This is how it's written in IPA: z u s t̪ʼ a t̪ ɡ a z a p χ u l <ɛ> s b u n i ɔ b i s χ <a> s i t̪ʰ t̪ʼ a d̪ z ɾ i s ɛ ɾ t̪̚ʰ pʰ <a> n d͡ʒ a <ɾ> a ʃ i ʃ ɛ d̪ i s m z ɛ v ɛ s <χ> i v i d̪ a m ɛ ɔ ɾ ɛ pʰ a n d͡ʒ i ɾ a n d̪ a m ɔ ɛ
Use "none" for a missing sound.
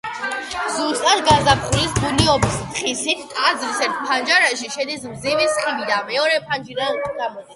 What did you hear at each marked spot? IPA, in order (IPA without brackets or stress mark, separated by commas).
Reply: i, i, a, ɾ, χ